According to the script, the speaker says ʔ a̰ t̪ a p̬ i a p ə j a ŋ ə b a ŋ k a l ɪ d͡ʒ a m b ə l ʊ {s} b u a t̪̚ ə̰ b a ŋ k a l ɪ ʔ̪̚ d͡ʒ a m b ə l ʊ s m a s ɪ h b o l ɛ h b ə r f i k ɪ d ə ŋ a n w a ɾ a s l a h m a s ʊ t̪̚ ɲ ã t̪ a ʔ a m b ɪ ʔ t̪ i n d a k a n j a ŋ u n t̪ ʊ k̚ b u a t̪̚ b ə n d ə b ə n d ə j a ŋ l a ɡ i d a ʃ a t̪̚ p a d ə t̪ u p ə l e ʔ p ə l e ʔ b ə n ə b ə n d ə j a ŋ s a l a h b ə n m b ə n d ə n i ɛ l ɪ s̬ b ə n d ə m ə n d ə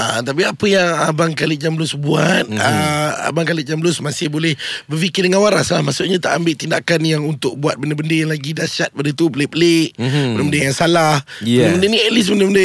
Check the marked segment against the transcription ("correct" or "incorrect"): correct